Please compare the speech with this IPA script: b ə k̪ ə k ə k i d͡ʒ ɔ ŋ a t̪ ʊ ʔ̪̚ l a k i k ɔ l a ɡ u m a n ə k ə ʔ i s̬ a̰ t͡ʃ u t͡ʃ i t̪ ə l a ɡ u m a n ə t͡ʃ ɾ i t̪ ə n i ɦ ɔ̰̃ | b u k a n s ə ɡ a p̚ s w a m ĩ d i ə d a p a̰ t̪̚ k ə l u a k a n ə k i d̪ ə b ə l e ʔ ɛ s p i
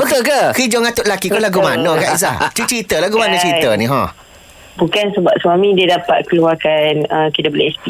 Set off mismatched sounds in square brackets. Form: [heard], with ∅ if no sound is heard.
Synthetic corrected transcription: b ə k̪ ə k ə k i d͡ʒ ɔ ŋ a t̪ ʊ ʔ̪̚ l a k i k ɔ l a ɡ u m a n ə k [a] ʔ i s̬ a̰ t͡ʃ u t͡ʃ i t̪ ə l a ɡ u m a n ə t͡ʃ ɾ i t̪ ə n i ɦ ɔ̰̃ | b u k a n s ə [b] a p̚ s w a m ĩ d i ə d a p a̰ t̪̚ k ə l u a k a n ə k i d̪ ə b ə l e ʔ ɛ s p i